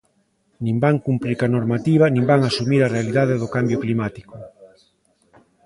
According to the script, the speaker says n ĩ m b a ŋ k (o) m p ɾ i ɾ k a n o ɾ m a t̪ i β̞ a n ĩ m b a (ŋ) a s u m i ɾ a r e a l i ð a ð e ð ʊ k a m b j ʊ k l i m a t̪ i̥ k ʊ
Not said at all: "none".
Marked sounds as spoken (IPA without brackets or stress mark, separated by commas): u, ŋ